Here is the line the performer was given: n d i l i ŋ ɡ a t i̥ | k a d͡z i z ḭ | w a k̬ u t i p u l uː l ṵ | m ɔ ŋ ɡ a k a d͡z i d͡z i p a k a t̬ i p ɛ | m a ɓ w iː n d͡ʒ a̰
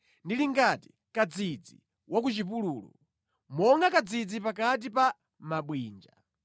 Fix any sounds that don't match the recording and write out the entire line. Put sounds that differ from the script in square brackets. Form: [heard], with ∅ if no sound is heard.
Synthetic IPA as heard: n d i l i ŋ ɡ a t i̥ | k a d͡z i [d͡z] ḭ | w a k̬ u [t͡ʃ] i p u l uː l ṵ | m ɔ ŋ ɡ a k a d͡z i d͡z i p a k a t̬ i p [a] | m a ɓ w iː n d͡ʒ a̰